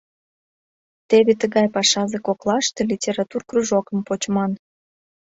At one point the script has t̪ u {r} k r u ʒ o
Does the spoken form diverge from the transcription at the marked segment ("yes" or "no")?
no